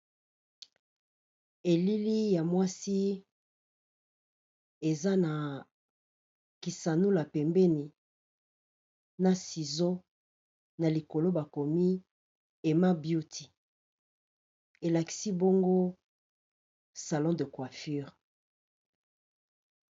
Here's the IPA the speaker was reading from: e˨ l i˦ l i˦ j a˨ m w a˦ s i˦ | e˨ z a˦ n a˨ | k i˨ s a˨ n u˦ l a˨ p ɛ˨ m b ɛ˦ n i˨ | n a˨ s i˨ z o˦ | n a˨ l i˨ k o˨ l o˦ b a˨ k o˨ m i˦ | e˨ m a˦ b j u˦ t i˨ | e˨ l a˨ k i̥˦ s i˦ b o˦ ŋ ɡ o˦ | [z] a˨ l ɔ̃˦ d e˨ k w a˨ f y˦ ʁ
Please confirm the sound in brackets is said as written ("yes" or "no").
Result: no